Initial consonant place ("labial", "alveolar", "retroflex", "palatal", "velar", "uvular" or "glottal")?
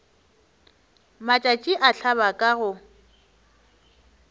labial